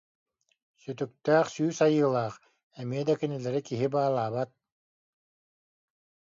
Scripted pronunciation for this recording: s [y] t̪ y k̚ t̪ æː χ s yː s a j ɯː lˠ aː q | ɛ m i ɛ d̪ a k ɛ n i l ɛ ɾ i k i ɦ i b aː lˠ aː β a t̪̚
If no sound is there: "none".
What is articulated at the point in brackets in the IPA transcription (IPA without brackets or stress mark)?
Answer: y